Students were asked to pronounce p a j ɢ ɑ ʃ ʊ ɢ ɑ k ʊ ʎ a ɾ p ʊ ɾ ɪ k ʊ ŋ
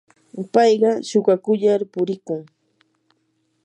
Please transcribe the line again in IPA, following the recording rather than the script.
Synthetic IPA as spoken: p ɑ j ɢ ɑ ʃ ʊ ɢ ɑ k ʊ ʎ a ɾ p ʊ ɾ ɪ k ʊ ŋ

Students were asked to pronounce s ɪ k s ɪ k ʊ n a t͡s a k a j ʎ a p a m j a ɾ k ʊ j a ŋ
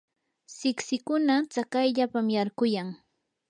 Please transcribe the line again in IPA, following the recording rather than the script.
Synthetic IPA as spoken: s ɪ k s ɪ k ʊ n a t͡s a k a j ʎ a p a m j a ɾ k ʊ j a ŋ

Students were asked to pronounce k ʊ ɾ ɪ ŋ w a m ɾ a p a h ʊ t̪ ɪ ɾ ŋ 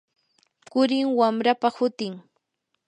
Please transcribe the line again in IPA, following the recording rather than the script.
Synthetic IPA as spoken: k ʊ ɾ ɪ ŋ w a m ɾ a p a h ʊ t̪ ɪ ŋ

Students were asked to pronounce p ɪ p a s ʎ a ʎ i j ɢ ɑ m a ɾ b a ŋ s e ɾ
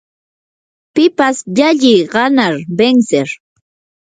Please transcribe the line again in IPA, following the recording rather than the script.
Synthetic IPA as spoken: p ɪ p a s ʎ a ʎ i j ɢ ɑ n a ɾ b e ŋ s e ɾ

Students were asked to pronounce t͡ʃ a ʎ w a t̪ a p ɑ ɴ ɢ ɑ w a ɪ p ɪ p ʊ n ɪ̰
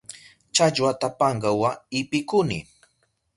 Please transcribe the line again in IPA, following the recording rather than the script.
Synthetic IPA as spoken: t͡ʃ a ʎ w a t̪ a p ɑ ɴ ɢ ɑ w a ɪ p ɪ k ʊ n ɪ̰

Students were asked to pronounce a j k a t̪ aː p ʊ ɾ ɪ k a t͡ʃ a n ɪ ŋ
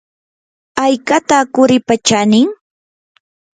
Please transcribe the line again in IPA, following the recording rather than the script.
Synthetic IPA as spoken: a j k a t̪ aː k ʊ ɾ ɪ p a t͡ʃ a n ɪ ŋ

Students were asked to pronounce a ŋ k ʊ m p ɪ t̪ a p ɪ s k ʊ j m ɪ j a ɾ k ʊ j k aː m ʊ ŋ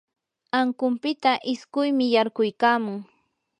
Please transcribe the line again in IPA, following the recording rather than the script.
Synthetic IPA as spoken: a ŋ k ʊ m p ɪ t̪ a ʔ ɪ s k ʊ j m ɪ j a ɾ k ʊ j k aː m ʊ ŋ

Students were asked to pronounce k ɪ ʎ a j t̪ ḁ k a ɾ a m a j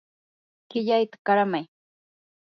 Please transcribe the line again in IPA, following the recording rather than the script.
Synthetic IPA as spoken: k ɪ ʎ a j t̪ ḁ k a ɾ a m a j

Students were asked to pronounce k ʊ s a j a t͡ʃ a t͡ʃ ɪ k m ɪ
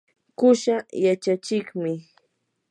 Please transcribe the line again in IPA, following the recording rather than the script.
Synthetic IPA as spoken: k ʊ ʃ a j a t͡ʃ a t͡ʃ ɪ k m ɪ

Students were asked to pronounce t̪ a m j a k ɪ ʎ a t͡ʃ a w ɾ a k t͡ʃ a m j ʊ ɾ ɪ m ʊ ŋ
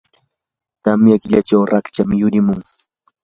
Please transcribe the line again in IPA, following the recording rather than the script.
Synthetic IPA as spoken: t̪ a m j a k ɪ ʎ a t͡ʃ a w ɾ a k t͡ʃ a m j ʊ ɾ ɪ m ʊ ŋ

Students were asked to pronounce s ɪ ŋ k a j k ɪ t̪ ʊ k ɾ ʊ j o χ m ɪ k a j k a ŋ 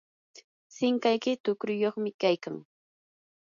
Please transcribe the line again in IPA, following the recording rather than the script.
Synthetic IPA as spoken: s ɪ ŋ k a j k ɪ t̪ ʊ k ɾ ʊ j o χ m ɪ k a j k a ŋ

